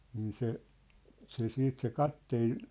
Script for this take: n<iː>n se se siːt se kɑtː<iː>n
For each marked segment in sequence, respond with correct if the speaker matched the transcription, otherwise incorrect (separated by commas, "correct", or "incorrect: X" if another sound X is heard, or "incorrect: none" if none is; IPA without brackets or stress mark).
correct, incorrect: eː